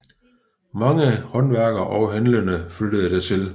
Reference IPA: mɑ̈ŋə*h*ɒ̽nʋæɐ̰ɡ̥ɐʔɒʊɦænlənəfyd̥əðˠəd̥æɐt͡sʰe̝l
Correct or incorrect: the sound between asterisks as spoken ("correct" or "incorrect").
correct